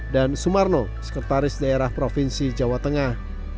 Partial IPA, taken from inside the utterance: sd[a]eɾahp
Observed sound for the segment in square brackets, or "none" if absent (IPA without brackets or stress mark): a